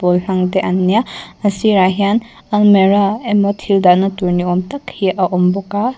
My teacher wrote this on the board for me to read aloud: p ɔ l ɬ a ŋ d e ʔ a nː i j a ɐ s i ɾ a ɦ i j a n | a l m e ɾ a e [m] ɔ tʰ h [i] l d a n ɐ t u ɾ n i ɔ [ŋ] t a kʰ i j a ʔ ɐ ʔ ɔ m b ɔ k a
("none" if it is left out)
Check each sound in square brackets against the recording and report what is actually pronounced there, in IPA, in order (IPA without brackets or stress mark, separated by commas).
m, i, m